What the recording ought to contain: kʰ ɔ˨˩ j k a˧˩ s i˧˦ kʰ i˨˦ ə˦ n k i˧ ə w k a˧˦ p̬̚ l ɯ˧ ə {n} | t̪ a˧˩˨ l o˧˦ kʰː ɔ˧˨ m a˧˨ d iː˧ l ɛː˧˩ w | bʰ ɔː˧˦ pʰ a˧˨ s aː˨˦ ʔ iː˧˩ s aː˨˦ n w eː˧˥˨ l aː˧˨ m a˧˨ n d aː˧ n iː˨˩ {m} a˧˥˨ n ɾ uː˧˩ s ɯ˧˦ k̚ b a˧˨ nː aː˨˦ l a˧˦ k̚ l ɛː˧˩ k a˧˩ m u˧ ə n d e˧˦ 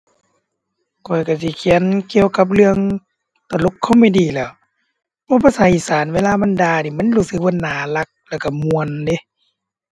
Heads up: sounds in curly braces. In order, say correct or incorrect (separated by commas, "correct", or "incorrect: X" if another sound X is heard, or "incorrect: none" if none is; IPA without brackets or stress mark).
incorrect: ŋ, correct